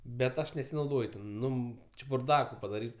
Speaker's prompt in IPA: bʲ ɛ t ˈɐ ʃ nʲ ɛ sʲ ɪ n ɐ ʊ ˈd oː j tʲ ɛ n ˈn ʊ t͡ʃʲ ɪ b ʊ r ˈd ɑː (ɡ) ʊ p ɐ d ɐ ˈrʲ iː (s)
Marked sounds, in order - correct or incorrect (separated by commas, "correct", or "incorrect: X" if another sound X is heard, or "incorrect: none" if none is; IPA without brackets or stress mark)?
incorrect: k, incorrect: t